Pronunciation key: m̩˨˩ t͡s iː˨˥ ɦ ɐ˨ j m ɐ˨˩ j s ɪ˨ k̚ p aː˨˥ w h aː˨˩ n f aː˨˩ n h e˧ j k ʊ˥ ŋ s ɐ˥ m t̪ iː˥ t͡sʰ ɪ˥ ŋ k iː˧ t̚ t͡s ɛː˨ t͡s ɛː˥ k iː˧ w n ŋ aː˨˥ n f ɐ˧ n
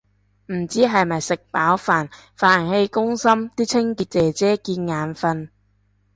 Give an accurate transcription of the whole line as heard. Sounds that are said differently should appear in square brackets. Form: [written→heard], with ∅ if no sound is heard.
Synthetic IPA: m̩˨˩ t͡s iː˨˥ ɦ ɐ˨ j m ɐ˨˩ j s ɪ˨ k̚ p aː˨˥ w [h→f] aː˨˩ n f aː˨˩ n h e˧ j k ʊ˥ ŋ s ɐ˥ m t̪ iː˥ t͡sʰ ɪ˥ ŋ k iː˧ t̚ t͡s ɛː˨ t͡s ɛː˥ k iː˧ [w→∅] n ŋ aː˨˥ n f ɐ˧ n